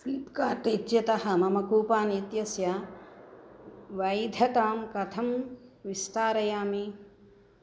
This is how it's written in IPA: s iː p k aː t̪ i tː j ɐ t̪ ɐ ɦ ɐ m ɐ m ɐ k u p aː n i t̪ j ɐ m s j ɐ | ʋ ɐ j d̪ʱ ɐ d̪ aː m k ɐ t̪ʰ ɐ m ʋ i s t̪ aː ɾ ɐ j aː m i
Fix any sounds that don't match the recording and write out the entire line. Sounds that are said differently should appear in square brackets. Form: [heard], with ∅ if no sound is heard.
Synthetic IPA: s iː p k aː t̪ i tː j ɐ t̪ ɐ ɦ ɐ m ɐ m ɐ k [uː] p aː n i t̪ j ɐ [∅] s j ɐ | ʋ ɐ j d̪ʱ ɐ [t̪] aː m k ɐ t̪ʰ ɐ m ʋ i s t̪ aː ɾ ɐ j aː m i